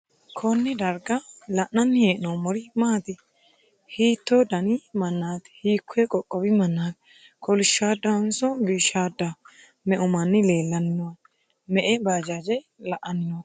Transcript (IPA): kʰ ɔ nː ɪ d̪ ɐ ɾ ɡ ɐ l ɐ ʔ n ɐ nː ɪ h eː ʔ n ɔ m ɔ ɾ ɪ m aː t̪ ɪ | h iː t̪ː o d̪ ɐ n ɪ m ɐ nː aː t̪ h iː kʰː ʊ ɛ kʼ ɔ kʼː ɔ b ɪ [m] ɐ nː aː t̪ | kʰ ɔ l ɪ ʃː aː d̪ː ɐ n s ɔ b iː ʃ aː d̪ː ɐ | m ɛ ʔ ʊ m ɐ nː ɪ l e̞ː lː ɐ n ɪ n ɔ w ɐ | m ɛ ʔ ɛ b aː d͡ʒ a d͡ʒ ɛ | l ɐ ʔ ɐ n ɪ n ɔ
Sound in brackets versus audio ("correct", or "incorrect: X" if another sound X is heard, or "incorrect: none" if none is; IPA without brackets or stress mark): correct